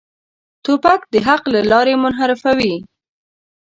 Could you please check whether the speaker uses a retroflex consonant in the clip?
no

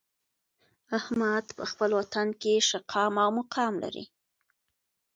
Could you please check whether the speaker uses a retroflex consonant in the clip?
no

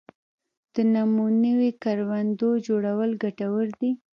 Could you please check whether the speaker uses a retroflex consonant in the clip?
yes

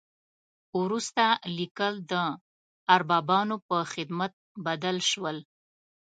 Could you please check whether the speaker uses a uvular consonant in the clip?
no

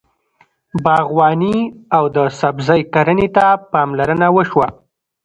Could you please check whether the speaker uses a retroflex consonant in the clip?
no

